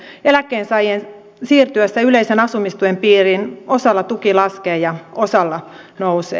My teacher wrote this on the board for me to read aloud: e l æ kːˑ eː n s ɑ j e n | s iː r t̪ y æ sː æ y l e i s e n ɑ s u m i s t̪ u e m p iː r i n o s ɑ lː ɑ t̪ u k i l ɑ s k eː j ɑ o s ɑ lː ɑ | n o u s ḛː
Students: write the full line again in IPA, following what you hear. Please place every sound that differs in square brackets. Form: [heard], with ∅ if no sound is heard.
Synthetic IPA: e l æ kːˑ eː n s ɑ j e n | s iː r t̪ y æ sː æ y l e i s e n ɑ s u m i s t̪ u e m p iː r i n o s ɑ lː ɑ t̪ u k i l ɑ s k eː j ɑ o s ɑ lː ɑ | n o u s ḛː